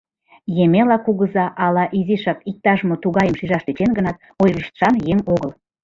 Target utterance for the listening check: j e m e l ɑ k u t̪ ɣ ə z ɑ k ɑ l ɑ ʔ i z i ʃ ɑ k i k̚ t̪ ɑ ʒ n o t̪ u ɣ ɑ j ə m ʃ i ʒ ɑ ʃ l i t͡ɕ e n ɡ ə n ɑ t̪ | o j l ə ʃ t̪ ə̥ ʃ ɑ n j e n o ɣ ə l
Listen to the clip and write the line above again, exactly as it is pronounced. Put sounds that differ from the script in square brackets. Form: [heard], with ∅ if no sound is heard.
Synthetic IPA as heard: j e m e l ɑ k u [∅] ɣ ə z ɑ [ʔ] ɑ l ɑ ʔ i z i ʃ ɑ k i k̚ t̪ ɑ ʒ [m] o t̪ u ɣ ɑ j ə m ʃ i ʒ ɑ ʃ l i t͡ɕ e n ɡ ə n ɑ t̪ | o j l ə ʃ t̪ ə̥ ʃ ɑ n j e [ŋ] o ɣ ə l